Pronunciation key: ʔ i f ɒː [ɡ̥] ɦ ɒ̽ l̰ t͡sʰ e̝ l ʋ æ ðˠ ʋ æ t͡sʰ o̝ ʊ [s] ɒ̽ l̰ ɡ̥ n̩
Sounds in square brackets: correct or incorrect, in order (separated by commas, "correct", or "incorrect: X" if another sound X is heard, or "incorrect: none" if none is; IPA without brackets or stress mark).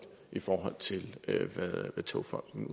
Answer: incorrect: none, incorrect: f